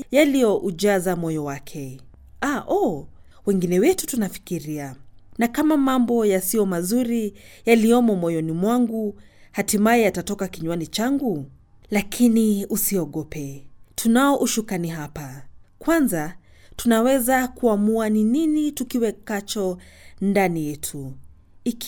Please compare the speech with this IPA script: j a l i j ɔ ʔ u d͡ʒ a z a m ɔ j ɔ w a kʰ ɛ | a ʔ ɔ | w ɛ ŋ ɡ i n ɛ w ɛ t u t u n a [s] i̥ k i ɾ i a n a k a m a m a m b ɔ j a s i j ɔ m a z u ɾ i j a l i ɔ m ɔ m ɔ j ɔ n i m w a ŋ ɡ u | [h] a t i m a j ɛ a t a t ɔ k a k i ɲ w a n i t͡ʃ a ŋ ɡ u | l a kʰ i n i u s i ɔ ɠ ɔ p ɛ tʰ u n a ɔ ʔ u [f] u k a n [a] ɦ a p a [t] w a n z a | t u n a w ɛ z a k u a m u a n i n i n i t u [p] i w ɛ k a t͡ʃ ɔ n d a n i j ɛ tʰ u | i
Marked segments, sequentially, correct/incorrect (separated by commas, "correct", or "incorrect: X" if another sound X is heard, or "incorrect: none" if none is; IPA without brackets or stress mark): incorrect: f, correct, incorrect: ʃ, incorrect: i, incorrect: k, incorrect: k